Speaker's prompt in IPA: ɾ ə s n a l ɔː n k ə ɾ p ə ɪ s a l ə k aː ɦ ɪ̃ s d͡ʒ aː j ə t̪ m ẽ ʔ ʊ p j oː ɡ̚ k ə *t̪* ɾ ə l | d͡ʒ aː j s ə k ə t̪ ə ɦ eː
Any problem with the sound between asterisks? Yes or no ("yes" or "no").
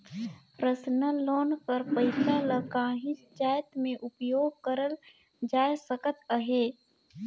yes